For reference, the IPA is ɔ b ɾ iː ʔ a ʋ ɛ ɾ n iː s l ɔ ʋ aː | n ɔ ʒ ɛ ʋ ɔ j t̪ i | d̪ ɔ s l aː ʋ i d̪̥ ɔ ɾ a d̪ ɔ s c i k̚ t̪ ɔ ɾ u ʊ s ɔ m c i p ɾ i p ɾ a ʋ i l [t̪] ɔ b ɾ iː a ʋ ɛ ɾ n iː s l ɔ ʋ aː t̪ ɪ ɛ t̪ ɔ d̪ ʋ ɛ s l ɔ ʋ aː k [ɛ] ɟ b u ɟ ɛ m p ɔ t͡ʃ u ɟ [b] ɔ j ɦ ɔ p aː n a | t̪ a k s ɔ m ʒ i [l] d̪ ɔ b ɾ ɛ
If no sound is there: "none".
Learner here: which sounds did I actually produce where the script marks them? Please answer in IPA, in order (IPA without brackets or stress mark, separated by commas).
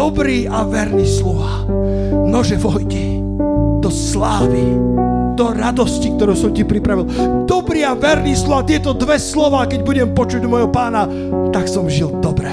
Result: d̪, ɛ, m, l